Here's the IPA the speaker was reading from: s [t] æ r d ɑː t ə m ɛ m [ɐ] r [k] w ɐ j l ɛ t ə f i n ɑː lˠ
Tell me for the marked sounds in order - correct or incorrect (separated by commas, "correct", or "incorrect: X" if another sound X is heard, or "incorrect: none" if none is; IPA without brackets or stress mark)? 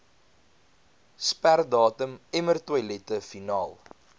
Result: incorrect: p, incorrect: ə, incorrect: t